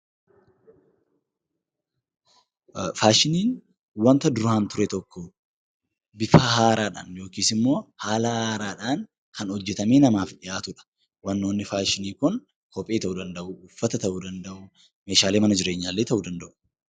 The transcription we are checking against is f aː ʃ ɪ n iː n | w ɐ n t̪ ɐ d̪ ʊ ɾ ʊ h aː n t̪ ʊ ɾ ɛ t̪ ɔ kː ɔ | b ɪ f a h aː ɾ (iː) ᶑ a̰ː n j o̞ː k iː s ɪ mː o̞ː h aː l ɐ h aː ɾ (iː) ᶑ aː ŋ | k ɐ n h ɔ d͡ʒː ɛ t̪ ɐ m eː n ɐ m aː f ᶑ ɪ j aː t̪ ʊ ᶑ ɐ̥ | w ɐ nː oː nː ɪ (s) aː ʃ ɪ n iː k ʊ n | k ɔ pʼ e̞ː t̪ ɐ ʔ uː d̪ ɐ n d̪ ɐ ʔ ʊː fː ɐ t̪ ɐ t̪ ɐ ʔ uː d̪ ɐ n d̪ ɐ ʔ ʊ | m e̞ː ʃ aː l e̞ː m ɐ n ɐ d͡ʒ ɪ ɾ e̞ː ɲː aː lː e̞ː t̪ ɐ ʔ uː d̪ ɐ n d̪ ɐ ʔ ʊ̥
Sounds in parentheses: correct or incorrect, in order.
incorrect, incorrect, incorrect

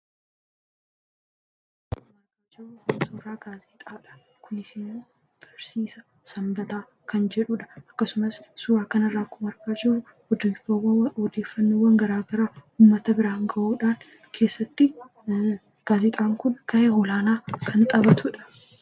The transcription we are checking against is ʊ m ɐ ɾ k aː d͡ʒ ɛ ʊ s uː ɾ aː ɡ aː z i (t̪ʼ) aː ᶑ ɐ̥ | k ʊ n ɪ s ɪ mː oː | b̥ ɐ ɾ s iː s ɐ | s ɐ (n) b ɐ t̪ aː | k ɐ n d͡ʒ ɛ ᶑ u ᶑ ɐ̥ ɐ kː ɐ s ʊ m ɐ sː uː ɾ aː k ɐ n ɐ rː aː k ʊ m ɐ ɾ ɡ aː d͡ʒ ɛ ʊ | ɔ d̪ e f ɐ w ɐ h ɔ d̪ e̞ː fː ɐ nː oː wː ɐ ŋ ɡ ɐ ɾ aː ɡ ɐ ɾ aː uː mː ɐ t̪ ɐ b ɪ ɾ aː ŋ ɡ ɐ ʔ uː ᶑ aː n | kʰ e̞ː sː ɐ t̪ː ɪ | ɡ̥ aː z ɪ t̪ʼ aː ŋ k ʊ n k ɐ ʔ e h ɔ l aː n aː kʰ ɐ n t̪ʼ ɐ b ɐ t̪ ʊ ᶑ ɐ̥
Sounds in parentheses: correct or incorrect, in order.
correct, incorrect

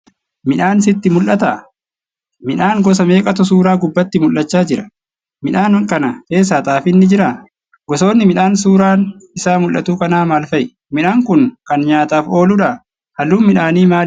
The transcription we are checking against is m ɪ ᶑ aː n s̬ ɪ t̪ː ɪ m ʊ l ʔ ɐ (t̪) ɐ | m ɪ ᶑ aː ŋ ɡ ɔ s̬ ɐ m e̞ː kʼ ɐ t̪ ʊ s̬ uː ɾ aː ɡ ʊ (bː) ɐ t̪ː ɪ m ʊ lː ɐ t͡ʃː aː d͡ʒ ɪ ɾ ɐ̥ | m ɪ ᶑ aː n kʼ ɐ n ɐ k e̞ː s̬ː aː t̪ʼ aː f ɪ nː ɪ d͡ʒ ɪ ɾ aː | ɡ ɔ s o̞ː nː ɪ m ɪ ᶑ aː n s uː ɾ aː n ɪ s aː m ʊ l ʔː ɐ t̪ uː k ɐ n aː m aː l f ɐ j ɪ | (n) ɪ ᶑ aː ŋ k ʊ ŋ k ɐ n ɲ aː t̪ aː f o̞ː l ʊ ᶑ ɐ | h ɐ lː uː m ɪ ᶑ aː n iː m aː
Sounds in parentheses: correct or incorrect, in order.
correct, correct, incorrect

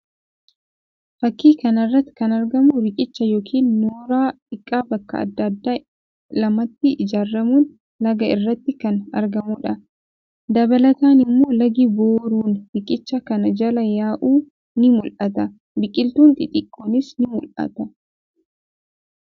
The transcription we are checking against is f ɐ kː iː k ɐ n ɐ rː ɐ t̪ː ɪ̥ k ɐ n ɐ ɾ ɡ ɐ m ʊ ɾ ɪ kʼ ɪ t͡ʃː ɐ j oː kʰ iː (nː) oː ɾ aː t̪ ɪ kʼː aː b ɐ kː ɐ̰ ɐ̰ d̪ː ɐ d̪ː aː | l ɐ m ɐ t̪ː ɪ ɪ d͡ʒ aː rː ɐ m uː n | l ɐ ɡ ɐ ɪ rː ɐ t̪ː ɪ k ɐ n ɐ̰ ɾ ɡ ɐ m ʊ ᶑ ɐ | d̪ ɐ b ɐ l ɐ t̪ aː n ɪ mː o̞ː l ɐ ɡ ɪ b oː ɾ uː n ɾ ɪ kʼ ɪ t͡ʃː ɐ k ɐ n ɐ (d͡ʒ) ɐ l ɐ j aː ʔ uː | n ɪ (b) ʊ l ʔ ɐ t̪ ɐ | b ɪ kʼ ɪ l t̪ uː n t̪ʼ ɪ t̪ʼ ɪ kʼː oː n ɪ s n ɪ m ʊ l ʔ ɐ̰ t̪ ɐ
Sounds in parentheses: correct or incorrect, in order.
correct, correct, incorrect

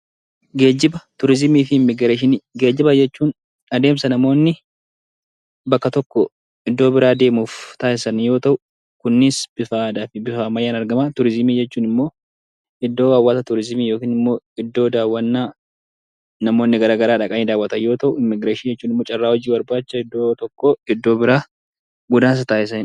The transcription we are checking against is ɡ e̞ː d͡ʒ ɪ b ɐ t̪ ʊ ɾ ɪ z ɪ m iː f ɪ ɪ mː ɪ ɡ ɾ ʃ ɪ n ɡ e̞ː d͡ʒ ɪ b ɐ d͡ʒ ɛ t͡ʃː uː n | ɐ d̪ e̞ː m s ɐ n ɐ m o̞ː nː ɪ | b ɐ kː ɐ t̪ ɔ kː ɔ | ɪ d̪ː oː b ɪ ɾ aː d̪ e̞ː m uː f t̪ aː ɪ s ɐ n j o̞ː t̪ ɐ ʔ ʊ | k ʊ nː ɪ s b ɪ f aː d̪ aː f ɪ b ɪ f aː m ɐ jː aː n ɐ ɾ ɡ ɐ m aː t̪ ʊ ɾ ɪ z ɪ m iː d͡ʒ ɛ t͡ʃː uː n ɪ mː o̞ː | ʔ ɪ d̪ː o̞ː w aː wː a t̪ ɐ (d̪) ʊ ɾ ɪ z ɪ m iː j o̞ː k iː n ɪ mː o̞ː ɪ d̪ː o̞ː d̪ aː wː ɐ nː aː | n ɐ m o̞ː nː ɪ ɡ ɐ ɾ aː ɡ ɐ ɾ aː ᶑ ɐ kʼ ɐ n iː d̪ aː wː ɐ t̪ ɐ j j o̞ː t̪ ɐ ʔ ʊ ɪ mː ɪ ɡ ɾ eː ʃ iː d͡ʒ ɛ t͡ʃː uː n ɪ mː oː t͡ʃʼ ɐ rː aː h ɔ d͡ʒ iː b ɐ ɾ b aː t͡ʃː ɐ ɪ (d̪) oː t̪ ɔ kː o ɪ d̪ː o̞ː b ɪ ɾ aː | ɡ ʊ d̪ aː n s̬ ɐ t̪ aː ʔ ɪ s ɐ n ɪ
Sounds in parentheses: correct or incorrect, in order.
incorrect, incorrect

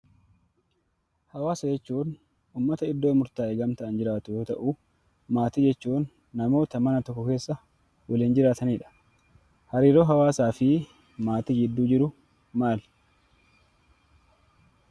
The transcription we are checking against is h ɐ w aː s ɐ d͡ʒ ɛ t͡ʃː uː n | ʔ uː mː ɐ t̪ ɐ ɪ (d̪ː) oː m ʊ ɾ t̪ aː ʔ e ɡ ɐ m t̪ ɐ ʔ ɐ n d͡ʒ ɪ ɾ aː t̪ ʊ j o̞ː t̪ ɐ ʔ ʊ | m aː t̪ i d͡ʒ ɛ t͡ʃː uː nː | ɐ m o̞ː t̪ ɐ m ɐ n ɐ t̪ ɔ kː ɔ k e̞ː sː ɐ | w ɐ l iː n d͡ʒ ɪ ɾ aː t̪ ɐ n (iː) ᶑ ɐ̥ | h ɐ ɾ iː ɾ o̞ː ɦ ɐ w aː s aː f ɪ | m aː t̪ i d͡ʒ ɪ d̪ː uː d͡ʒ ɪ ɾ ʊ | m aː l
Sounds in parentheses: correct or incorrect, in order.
correct, correct

